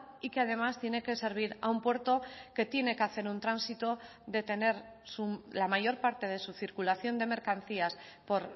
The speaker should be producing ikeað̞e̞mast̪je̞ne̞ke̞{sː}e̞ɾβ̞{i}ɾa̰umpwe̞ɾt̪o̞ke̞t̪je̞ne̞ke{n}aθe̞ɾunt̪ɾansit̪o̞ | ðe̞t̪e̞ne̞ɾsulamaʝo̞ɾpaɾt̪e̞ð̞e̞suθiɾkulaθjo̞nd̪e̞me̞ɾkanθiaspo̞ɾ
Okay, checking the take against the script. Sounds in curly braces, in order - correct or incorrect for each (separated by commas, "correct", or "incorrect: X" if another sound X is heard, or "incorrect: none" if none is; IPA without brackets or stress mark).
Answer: incorrect: s, correct, incorrect: none